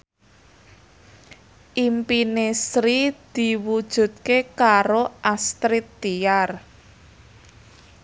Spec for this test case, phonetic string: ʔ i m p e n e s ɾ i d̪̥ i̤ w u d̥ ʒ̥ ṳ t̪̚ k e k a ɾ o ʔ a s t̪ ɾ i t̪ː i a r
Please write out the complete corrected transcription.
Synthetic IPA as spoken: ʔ i m p i n e s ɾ i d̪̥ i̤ w u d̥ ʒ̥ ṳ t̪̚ k e k a ɾ o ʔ a s t̪ ɾ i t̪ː i a r